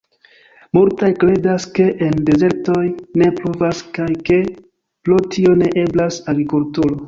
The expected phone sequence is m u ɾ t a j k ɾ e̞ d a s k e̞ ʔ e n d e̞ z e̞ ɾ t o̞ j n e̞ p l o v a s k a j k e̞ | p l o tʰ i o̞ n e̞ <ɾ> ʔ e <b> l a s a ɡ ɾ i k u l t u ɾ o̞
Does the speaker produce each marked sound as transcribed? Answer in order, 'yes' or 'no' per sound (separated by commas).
no, yes